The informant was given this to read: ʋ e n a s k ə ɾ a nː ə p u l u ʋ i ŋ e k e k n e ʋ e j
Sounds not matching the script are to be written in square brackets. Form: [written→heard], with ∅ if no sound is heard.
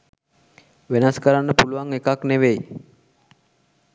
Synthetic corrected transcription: ʋ e n a s k ə ɾ a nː ə p u l u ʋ [i→a] ŋ e k [e→a] k n e ʋ e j